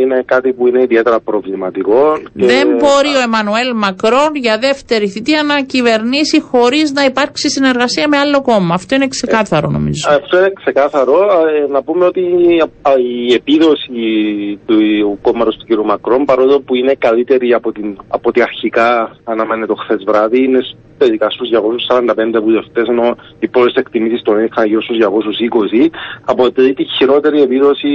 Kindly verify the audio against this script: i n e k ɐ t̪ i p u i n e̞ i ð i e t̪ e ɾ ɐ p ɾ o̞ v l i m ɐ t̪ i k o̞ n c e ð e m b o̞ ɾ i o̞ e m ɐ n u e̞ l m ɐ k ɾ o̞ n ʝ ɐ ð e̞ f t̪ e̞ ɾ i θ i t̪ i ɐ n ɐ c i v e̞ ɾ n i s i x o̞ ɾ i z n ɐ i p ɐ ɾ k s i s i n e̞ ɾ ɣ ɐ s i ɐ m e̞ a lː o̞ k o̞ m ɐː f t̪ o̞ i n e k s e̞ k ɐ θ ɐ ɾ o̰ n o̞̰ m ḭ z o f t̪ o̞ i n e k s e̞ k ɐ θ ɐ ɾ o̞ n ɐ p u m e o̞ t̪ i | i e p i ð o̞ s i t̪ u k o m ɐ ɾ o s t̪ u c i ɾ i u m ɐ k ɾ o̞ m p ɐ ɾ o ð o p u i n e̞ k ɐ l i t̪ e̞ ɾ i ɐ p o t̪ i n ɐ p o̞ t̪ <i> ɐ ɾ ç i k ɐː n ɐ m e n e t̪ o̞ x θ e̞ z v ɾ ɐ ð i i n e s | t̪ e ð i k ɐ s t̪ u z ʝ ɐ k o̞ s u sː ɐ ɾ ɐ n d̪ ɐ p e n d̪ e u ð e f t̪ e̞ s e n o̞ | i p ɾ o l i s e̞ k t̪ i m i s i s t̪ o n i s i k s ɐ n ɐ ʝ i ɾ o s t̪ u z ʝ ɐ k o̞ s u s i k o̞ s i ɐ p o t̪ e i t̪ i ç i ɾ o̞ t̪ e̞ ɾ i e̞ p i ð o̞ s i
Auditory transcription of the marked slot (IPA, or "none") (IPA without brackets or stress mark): i